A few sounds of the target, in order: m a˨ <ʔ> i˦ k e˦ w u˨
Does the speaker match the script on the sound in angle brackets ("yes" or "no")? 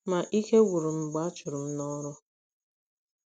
yes